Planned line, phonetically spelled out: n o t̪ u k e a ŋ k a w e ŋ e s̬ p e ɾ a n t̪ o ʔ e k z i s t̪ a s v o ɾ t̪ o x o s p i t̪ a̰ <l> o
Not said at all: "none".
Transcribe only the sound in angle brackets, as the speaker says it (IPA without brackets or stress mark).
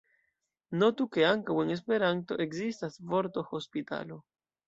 l